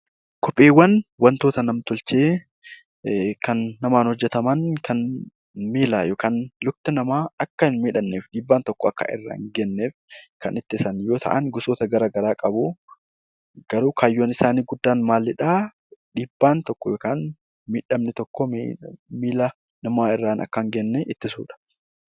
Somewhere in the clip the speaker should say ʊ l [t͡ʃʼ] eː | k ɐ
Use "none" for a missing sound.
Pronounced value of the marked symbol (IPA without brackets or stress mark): t͡ʃ